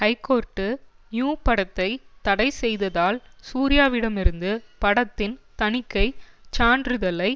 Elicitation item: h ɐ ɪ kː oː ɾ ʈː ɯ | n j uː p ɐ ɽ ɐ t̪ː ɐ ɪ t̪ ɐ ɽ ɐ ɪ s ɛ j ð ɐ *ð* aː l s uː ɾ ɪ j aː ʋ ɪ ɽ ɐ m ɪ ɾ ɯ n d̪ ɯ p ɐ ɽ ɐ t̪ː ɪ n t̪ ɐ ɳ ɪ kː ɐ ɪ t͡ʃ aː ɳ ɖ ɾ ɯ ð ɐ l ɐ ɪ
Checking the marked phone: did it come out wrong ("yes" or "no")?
no